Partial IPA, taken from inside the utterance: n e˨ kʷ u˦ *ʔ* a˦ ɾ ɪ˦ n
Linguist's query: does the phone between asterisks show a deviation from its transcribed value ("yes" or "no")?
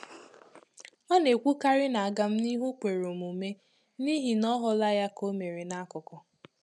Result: yes